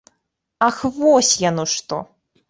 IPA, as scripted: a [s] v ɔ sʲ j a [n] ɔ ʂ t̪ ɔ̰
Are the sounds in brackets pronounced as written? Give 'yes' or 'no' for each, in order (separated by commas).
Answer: no, yes